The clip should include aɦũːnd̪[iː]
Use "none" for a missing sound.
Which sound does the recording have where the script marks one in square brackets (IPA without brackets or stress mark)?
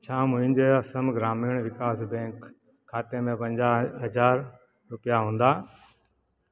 aː